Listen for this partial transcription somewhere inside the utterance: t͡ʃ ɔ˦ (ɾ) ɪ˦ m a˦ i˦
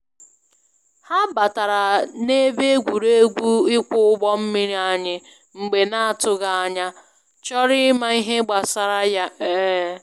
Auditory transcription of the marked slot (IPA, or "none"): ɾ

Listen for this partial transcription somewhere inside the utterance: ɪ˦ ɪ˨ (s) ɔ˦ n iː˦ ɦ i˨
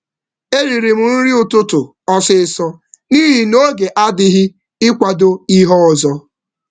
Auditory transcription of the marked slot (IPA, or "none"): s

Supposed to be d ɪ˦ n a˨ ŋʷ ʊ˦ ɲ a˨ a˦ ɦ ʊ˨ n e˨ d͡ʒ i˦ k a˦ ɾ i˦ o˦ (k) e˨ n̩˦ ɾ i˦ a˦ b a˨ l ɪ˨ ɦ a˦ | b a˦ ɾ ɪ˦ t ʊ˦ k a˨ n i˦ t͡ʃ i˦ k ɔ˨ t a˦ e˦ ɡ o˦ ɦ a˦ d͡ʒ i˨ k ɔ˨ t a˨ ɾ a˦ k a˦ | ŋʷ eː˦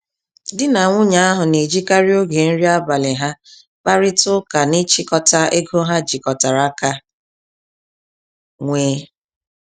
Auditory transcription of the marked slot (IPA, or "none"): ɡ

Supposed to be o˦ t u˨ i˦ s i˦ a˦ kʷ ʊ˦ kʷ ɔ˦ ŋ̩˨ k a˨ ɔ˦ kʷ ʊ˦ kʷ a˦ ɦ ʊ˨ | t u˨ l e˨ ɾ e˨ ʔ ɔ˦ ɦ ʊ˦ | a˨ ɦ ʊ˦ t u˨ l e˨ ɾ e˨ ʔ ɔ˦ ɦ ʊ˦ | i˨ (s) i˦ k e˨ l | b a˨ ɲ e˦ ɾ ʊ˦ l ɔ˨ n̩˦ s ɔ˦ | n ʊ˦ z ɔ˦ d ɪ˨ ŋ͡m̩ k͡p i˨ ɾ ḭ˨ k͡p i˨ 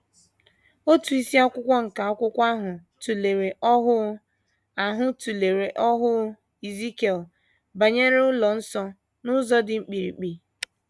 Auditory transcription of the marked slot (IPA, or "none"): z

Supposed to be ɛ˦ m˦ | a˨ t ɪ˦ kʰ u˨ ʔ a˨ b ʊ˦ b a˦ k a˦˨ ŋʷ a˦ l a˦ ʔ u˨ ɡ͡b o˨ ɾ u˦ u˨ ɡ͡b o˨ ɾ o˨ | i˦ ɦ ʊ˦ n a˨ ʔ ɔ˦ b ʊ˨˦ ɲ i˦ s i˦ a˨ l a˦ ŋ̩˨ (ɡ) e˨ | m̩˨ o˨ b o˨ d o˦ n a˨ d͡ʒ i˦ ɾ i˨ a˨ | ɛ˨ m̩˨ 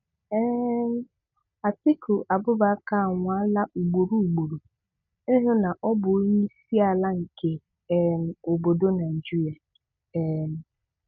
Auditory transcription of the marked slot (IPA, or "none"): k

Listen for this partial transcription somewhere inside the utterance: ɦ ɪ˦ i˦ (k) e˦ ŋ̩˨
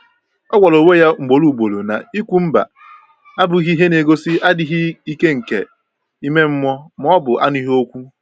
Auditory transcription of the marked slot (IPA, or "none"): k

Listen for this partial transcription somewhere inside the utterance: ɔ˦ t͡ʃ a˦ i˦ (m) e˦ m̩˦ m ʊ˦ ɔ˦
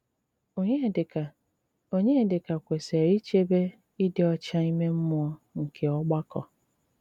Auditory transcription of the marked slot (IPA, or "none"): m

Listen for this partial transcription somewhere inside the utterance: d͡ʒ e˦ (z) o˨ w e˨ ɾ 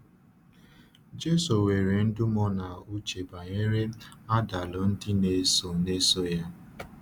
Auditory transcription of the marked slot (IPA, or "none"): s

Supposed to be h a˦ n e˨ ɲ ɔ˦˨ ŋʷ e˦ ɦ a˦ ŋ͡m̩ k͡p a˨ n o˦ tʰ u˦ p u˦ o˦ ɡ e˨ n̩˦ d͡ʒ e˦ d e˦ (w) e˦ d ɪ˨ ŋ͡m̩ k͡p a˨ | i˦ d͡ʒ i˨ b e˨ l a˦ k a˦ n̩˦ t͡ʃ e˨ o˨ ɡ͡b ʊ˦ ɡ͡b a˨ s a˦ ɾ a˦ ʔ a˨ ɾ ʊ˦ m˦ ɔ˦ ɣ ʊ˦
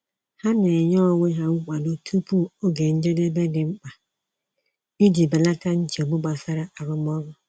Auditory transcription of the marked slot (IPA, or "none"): b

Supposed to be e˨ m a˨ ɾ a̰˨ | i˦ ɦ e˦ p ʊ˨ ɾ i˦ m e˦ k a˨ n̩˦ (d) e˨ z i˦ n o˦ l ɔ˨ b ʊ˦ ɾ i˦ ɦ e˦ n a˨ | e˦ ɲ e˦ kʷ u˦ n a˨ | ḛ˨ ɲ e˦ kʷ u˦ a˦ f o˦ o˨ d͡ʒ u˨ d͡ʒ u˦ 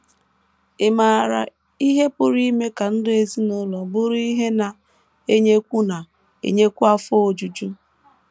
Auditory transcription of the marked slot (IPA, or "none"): d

